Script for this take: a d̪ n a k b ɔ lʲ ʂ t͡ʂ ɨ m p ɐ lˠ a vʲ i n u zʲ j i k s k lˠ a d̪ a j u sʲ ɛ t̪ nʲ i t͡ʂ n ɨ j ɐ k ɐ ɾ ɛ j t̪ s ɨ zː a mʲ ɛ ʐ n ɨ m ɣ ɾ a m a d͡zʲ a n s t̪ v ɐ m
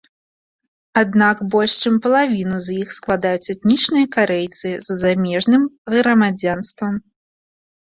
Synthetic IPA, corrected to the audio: a d̪ n a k b ɔ lʲ ʂ t͡ʂ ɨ m p ɐ lˠ a vʲ i n u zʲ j i x s k lˠ a d̪ a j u t͡sʲ ɛ t̪ nʲ i t͡ʂ n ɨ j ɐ k a ɾ ɛ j t̪ s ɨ zː a mʲ ɛ ʐ n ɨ m ɣ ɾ ɐ m a d͡zʲ a n s t̪ v ɐ m